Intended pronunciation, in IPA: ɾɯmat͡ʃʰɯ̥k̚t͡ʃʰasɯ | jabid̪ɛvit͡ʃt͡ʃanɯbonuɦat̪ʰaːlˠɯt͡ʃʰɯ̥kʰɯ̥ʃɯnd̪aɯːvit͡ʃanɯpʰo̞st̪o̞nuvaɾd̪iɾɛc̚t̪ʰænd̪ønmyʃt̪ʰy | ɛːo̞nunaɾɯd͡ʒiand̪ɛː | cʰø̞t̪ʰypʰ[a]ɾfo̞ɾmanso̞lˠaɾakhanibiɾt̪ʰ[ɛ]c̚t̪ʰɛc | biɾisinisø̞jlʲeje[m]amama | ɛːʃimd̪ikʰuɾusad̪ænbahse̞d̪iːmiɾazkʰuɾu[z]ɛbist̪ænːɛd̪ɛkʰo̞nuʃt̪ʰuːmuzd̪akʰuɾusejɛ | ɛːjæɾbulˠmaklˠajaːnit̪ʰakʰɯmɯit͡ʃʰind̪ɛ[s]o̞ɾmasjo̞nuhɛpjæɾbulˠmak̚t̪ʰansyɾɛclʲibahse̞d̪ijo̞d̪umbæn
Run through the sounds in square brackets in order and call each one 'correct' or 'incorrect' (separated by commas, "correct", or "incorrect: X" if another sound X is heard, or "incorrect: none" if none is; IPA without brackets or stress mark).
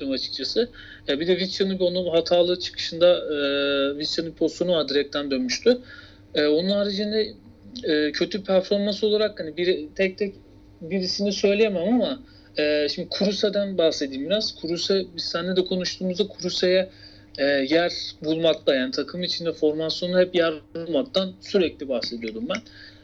incorrect: æ, correct, correct, incorrect: s, incorrect: f